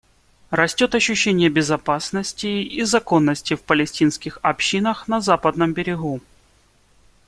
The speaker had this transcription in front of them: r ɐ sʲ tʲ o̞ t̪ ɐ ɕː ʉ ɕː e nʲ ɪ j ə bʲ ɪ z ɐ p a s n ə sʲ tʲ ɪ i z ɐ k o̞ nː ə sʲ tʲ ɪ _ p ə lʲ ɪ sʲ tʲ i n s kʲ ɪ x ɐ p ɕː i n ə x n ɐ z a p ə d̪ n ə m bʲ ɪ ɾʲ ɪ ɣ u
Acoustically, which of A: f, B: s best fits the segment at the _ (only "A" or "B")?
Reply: A